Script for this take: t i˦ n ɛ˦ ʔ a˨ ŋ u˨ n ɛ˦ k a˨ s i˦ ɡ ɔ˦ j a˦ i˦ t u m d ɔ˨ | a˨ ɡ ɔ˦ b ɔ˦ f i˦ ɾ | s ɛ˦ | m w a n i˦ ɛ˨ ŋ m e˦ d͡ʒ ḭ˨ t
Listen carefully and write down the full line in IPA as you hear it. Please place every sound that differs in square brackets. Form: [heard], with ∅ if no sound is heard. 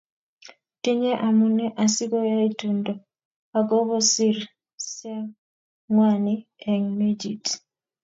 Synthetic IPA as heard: t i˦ [ɲ] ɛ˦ ʔ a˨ [m] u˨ n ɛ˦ [ʔ] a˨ s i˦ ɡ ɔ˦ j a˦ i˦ t u [n] d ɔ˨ | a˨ ɡ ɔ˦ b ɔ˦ [s] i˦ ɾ | s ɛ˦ | [ŋ] w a n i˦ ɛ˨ ŋ m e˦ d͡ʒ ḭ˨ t

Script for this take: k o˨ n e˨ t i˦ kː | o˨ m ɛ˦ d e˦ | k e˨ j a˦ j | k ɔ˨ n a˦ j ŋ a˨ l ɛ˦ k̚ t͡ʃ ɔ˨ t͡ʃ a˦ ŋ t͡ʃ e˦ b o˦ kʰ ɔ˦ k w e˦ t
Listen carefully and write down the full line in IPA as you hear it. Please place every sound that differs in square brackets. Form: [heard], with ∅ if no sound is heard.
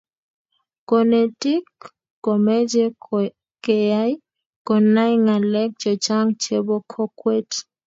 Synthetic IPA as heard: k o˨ n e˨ t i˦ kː | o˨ m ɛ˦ [d͡ʒ] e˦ | k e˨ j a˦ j | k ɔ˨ n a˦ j ŋ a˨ l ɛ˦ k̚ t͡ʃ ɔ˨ t͡ʃ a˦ ŋ t͡ʃ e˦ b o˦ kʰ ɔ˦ k w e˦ t

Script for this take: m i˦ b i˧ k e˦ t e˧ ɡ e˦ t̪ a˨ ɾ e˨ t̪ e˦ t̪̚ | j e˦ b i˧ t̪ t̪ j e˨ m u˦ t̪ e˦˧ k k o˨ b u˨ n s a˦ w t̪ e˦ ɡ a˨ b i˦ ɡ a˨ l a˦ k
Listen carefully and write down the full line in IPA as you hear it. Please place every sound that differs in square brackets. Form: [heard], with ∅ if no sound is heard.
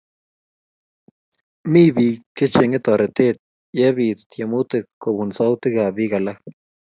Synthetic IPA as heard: m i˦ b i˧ k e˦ [t͡ʃ] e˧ [ŋ] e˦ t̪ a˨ ɾ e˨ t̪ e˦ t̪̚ | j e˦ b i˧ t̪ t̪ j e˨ m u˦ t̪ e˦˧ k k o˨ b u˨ n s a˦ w t̪ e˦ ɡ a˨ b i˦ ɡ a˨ l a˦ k

